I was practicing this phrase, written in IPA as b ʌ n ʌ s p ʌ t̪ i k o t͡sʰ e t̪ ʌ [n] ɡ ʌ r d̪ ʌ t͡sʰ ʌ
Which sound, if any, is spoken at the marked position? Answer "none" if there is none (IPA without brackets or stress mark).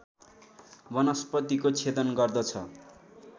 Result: n